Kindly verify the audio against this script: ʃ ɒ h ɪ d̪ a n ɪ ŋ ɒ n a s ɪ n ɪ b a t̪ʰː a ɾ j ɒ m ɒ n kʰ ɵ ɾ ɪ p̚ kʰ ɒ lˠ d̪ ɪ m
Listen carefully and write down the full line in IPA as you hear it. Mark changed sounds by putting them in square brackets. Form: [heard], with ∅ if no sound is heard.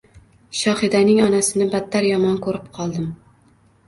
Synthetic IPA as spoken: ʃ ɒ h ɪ d̪ a n ɪ ŋ ɒ n a s ɪ n ɪ b a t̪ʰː a ɾ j ɒ m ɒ n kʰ ɵ ɾ ɪ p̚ [qʰ] ɒ lˠ d̪ ɪ m